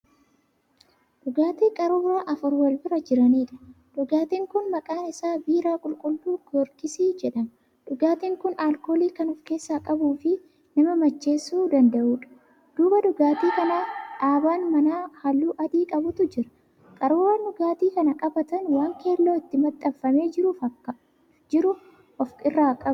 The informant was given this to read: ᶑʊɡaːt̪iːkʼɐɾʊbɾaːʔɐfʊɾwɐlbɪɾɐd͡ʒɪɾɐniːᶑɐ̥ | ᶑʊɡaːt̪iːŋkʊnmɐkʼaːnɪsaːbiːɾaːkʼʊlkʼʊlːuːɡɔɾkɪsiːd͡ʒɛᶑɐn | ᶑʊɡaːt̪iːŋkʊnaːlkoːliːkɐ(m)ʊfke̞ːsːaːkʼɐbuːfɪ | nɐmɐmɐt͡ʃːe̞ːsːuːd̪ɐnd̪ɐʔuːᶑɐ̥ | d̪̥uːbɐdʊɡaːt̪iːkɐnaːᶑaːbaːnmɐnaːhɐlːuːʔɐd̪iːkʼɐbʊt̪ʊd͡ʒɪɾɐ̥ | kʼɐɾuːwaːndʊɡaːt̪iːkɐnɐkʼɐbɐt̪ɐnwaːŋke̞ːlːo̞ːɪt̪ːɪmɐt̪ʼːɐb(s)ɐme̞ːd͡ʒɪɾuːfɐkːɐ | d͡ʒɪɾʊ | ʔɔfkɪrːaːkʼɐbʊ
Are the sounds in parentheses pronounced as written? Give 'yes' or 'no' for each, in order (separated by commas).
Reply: no, no